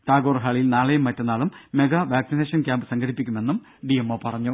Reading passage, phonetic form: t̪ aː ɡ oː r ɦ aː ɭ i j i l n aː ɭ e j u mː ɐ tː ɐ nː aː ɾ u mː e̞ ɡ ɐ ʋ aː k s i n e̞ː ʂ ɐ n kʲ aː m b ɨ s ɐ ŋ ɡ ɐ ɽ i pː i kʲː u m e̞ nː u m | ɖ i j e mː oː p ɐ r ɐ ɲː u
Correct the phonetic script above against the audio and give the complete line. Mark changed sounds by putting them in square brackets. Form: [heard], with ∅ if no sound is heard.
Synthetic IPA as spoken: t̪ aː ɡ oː r ɦ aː ɭ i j i l n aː ɭ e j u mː ɐ tː ɐ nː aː [ɭ] u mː e̞ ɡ ɐ ʋ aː k s i n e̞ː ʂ ɐ n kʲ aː m b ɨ s ɐ ŋ ɡ ɐ ɽ i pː i kʲː u m e̞ nː u m | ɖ i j e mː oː p ɐ r ɐ ɲː u